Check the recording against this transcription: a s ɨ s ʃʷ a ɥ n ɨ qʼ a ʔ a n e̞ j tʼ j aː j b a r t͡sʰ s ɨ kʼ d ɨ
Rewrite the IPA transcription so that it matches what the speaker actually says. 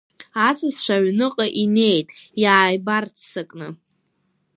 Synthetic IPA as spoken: a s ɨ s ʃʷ a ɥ n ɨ qʼ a ʔ i n e̞ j tʼ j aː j b a r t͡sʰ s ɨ kʼ n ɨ